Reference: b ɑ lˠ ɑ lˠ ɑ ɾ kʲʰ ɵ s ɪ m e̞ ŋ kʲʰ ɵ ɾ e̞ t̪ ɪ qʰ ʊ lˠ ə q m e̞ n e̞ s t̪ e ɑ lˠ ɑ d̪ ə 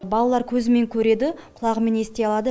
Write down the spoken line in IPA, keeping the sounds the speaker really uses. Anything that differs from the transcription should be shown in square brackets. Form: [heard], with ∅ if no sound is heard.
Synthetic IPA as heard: b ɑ lˠ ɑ lˠ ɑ ɾ kʲʰ ɵ [z] ɪ m e̞ ŋ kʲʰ ɵ ɾ e̞ [d̪] ɪ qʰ ʊ lˠ [ɑ] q m e̞ n e̞ s t̪ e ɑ lˠ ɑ d̪ ə